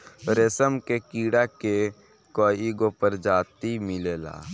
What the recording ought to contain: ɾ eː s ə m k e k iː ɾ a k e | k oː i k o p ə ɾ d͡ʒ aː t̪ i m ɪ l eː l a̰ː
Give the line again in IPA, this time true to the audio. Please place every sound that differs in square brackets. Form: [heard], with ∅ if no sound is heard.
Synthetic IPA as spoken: ɾ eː s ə m k e k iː [ɽ] a k e | k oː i [ɡ] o p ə ɾ d͡ʒ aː t̪ i m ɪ l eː l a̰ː